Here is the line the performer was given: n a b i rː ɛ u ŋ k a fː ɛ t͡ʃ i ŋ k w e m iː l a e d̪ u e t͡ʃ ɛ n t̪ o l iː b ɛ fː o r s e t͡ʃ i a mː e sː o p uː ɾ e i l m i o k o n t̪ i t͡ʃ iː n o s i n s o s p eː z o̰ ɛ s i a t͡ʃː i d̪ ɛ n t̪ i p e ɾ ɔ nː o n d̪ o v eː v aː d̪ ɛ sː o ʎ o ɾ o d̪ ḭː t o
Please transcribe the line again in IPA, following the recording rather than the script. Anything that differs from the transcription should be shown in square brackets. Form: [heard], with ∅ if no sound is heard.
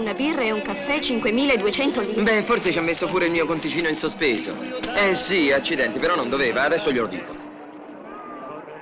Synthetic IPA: n a b i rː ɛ u ŋ k a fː ɛ t͡ʃ i ŋ k w e m iː l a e d̪ u e t͡ʃ ɛ n t̪ o l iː b ɛ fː o r s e t͡ʃ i a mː e sː o p uː ɾ e i l m i o k o n t̪ i t͡ʃ iː n o [∅] i n s o s p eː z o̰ ɛ s i a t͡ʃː i d̪ ɛ n t̪ i p e ɾ ɔ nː o n d̪ o v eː v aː d̪ ɛ sː o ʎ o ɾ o d̪ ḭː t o